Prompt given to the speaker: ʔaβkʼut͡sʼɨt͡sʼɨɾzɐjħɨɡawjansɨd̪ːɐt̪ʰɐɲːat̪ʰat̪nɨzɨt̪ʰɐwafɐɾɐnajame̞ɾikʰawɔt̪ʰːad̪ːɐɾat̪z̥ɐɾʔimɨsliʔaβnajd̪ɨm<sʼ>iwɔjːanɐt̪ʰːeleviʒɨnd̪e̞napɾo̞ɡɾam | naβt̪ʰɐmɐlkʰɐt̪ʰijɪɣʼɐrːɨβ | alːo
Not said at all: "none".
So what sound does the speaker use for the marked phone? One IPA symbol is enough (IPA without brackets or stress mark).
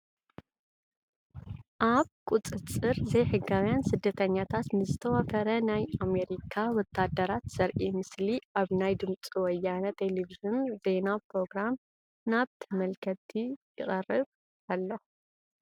t͡sʼ